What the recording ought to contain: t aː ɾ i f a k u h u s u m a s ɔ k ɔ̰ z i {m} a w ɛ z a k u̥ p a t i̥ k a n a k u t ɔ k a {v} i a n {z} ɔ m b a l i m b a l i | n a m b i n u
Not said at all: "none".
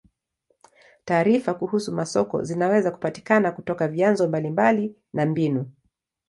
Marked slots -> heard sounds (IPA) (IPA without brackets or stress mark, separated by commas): n, v, z